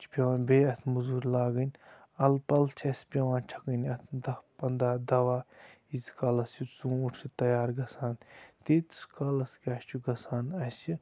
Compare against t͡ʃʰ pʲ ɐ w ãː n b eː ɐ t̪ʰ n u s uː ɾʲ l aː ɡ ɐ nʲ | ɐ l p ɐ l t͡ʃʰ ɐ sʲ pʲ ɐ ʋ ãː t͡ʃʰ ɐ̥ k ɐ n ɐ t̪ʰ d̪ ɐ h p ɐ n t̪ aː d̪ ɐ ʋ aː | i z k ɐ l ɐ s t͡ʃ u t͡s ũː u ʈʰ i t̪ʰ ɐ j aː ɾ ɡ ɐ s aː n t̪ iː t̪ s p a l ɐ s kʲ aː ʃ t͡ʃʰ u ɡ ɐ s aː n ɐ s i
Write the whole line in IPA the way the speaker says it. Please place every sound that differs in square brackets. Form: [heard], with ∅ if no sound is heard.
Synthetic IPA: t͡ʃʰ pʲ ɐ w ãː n b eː ɐ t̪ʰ [m] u [z] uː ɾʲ l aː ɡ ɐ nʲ | ɐ l p ɐ l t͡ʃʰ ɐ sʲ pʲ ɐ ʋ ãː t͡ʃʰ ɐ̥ k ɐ n ɐ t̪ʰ d̪ ɐ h p ɐ n [d̪] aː d̪ ɐ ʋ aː | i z k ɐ l ɐ s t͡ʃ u t͡s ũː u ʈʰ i [t̪] ɐ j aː ɾ ɡ ɐ s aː n t̪ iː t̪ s [k] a l ɐ s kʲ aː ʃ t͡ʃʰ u ɡ ɐ s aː n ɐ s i

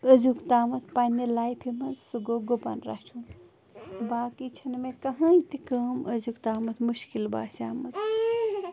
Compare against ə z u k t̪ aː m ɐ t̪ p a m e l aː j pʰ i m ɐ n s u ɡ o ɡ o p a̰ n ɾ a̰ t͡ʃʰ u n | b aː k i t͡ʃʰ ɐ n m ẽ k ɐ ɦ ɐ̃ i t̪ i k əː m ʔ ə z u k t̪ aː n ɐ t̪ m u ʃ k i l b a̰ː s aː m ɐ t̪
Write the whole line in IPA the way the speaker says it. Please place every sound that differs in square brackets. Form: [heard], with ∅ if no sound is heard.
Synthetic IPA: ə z u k t̪ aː m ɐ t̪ p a [n] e l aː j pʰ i m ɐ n s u ɡ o ɡ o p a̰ n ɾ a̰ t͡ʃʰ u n | b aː k i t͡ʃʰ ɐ n m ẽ k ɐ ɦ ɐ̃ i t̪ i k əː m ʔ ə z u k t̪ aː [m] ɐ t̪ m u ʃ k i l b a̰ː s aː m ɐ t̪

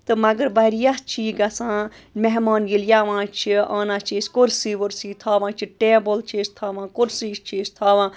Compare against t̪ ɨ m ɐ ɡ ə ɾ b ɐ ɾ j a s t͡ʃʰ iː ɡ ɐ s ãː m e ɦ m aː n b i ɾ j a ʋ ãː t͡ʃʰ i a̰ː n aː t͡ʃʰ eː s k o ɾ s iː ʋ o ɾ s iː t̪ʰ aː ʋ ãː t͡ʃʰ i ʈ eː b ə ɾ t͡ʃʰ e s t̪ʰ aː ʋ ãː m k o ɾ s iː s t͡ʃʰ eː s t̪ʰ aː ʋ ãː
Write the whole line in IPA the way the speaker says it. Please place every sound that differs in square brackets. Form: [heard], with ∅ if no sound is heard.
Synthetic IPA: t̪ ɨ m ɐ ɡ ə ɾ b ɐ ɾ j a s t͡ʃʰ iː ɡ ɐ s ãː m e ɦ m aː n [ɡ] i [l] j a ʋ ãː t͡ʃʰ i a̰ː n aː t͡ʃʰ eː s k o ɾ s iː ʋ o ɾ s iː t̪ʰ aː ʋ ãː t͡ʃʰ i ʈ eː b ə [l] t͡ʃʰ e s t̪ʰ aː ʋ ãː [∅] k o ɾ s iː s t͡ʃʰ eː s t̪ʰ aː ʋ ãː

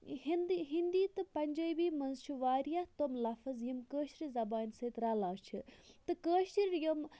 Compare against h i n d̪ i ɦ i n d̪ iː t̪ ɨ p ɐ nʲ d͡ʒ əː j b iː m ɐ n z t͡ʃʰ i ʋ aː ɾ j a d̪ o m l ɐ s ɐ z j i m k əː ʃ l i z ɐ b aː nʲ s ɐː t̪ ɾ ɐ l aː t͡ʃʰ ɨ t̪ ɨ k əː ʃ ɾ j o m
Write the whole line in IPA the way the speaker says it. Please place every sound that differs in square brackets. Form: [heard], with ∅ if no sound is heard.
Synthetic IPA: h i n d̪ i ɦ i n d̪ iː t̪ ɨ p ɐ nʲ d͡ʒ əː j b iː m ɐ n z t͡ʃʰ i ʋ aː ɾ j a [t̪] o m l ɐ [f] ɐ z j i m k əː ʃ [ɾ] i z ɐ b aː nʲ s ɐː t̪ ɾ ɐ l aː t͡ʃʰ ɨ t̪ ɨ k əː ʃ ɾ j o m

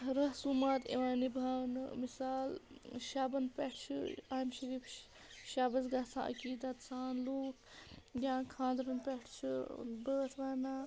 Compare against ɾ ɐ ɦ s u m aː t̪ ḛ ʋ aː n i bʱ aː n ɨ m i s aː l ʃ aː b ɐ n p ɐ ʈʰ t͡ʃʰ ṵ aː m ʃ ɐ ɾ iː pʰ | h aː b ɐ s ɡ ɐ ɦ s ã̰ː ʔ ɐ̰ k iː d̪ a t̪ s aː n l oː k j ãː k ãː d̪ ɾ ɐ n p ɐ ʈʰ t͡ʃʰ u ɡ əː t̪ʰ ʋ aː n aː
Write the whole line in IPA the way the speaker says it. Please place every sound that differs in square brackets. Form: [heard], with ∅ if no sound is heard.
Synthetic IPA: ɾ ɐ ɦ s u m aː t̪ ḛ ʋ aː n i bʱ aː n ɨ m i s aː l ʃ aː b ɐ n p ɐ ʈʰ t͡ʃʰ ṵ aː m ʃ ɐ ɾ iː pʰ | [ʃ] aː b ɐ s ɡ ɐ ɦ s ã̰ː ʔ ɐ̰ k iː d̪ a t̪ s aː n l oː k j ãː [kʰ] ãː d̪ ɾ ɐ n p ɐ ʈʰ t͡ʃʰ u [b] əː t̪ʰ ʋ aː n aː

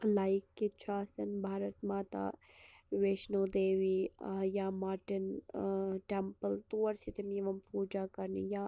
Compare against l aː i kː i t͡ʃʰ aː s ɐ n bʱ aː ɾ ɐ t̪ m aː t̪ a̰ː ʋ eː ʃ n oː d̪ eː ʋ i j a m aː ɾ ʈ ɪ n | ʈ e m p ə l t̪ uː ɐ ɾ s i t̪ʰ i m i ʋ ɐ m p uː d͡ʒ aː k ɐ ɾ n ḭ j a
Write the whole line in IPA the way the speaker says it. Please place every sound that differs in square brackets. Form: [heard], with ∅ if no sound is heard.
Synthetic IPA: l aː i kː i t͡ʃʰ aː s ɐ n bʱ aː ɾ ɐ t̪ m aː t̪ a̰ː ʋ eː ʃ n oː d̪ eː ʋ i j a m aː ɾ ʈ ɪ n | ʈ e m p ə l t̪ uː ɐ ɾ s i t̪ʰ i m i ʋ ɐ m p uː d͡ʒ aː k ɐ ɾ n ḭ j a

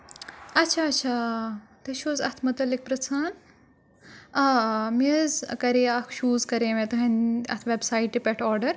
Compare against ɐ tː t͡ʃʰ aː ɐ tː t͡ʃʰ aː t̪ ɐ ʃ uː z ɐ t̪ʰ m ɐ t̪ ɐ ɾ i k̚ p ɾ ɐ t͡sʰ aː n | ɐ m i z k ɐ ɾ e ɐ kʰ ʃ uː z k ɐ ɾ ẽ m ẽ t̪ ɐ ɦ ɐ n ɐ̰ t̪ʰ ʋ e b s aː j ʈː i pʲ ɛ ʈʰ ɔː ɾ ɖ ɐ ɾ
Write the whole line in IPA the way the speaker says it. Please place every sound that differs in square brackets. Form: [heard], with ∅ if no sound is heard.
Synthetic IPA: ɐ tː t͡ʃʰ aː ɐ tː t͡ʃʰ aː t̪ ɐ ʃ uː z ɐ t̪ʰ m ɐ t̪ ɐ [l] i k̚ p ɾ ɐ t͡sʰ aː n | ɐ m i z k ɐ ɾ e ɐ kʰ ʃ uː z k ɐ ɾ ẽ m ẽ t̪ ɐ ɦ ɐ n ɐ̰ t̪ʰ ʋ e b s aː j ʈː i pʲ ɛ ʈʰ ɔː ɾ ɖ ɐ ɾ

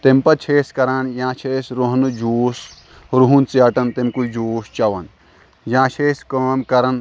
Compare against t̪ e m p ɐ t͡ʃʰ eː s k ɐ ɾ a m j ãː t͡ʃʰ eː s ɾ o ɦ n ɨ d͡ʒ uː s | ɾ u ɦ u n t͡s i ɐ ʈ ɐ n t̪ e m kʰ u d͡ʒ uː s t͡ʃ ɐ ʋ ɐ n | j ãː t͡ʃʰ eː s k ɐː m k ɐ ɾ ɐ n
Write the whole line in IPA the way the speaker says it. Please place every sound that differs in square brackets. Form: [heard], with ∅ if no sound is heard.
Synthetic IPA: t̪ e m p ɐ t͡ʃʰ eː s k ɐ ɾ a [n] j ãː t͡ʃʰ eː s ɾ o ɦ n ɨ d͡ʒ uː s | ɾ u ɦ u n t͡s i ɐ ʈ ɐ n t̪ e m [k] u d͡ʒ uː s t͡ʃ ɐ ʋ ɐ n | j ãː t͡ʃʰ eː s k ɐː m k ɐ ɾ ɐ n

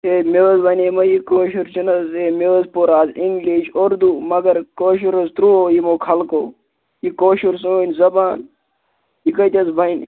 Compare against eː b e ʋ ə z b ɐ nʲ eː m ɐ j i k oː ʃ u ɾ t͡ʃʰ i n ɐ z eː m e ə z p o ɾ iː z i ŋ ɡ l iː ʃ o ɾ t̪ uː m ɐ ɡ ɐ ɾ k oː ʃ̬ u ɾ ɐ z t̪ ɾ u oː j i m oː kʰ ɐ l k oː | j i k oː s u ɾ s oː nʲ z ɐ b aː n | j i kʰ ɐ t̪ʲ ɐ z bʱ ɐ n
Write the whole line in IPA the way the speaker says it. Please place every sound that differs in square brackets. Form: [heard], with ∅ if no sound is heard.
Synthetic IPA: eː [m] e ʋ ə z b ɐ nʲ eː m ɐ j i k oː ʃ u ɾ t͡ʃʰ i n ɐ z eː m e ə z p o ɾ [aː] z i ŋ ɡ l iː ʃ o ɾ [d̪] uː m ɐ ɡ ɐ ɾ k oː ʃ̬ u ɾ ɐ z t̪ ɾ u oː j i m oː kʰ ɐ l k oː | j i k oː [ʃ] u ɾ s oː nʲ z ɐ b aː n | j i [k] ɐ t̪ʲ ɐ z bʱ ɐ n

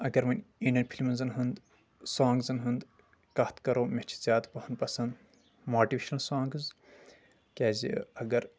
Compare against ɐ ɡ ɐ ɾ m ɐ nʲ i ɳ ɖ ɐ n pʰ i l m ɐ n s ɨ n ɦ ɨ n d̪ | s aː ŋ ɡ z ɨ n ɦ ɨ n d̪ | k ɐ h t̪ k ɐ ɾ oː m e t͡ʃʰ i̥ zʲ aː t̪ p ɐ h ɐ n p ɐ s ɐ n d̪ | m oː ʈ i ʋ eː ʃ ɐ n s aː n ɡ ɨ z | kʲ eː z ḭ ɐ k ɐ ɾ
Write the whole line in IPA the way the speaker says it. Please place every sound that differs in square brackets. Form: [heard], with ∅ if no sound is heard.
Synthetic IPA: ɐ ɡ ɐ ɾ m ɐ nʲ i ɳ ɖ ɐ n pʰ i l m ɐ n [z] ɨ n ɦ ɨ n d̪ | s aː ŋ ɡ z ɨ n ɦ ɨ n d̪ | k ɐ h t̪ k ɐ ɾ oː m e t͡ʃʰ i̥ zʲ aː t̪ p ɐ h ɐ n p ɐ s ɐ n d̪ | m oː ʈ i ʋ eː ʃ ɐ n s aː [ŋ] ɡ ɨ z | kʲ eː z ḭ ɐ [ɡ] ɐ ɾ

